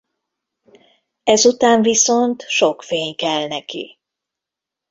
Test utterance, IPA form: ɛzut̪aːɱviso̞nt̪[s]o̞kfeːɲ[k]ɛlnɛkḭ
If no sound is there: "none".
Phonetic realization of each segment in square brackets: ʃ, k

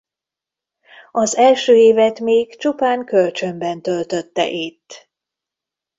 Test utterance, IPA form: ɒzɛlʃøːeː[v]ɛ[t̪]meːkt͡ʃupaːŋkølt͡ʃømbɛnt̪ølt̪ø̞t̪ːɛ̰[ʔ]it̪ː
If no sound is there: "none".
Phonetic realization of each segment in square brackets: v, t̪, ʔ

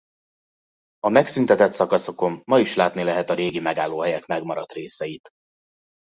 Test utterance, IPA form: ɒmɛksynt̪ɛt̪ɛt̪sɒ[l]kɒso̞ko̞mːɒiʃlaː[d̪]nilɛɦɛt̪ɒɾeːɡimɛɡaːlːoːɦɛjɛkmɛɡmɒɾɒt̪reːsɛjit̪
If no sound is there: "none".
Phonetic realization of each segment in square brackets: none, t̪

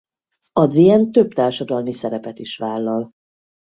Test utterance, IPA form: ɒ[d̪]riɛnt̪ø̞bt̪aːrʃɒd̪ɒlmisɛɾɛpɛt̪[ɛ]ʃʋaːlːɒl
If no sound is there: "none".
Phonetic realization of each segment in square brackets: d̪, i

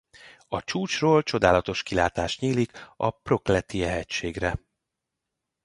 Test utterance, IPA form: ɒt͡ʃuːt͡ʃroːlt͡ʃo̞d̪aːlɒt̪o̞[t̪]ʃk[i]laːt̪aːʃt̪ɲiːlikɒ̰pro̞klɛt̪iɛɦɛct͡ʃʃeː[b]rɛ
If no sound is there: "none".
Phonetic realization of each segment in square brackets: none, i, ɡ

